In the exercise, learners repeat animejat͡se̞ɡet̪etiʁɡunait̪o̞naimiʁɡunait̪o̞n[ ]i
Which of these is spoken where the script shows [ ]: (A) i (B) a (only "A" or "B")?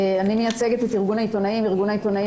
B